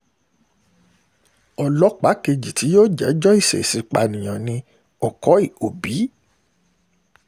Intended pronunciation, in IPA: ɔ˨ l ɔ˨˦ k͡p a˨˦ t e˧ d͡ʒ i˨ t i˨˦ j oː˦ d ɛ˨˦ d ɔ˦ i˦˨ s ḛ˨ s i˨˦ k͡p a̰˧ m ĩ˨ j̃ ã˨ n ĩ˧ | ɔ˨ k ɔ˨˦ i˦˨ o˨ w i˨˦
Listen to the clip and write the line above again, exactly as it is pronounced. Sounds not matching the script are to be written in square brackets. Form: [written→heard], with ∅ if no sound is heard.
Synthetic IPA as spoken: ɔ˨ l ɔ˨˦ k͡p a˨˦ [t→k] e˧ d͡ʒ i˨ t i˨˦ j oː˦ [d→d͡ʒ] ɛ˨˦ [d→d͡ʒ] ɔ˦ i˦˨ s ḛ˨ s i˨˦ k͡p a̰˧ [m→n] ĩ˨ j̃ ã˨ n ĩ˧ | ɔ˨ k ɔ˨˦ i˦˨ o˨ [w→b] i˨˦